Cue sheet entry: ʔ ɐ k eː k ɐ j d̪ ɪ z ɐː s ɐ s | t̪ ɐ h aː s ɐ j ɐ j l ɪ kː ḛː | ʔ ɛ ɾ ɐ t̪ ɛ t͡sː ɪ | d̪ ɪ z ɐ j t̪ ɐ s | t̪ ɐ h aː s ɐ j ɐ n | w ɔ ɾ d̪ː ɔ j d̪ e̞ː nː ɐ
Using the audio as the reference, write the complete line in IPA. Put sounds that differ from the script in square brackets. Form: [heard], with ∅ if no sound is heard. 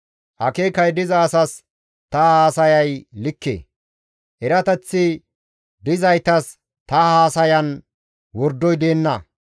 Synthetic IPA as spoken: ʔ ɐ k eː k ɐ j d̪ ɪ z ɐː s ɐ s | t̪ ɐ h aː s ɐ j ɐ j l ɪ kː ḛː | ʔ ɛ ɾ ɐ t̪ ɛ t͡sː ɪ | d̪ ɪ z ɐ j t̪ ɐ s | t̪ ɐ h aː s ɐ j ɐ n | w ɔ ɾ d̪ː ɔ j d̪ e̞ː nː ɐ